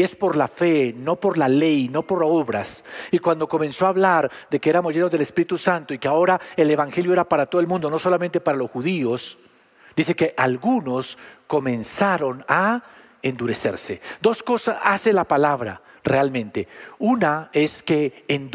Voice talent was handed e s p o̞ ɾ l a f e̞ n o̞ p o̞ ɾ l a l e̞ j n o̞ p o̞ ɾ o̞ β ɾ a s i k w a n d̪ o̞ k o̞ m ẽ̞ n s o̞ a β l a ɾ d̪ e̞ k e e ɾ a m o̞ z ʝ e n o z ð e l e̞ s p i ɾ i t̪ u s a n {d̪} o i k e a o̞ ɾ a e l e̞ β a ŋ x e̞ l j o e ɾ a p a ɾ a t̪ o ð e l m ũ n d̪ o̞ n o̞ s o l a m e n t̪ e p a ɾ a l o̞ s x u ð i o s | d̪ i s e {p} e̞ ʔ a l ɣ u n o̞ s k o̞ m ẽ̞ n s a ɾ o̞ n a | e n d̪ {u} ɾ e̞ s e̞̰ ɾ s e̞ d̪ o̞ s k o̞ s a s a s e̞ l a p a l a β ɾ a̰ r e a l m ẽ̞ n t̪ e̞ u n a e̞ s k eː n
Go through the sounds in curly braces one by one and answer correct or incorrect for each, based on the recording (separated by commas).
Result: incorrect, incorrect, correct